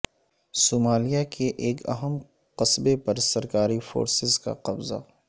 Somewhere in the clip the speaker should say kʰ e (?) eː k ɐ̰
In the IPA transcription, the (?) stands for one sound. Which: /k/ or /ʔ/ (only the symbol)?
ʔ